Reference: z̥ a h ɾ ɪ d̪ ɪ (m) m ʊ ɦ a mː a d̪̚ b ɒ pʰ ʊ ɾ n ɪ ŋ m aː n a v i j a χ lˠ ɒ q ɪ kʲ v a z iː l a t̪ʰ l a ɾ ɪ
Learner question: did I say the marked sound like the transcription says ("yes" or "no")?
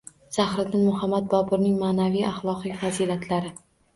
no